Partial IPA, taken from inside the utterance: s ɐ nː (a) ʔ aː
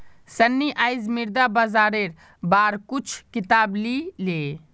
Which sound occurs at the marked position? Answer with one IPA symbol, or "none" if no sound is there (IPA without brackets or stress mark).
i